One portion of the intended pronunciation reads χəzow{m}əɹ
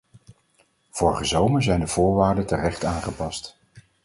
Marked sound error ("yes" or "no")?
no